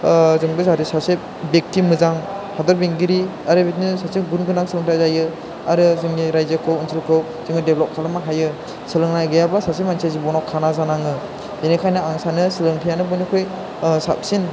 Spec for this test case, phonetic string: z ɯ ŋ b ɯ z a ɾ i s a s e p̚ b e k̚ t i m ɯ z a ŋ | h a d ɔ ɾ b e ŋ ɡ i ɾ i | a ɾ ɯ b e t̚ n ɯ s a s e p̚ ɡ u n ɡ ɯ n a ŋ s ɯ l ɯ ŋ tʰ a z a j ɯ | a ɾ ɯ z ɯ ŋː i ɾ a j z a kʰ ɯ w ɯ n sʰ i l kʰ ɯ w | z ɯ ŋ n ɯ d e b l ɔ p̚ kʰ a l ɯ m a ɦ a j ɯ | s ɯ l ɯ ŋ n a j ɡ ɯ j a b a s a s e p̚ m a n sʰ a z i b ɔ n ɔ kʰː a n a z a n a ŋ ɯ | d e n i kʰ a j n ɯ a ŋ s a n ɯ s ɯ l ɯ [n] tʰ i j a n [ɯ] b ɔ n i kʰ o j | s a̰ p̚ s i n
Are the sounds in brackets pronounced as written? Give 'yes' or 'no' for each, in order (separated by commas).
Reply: no, yes